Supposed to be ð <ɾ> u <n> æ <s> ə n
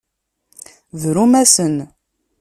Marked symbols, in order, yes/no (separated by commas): yes, no, yes